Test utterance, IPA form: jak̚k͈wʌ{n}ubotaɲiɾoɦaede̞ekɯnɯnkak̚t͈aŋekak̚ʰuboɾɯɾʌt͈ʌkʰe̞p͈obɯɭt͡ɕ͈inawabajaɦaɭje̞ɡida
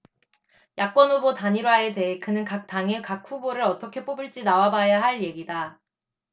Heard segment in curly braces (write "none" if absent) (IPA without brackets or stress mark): n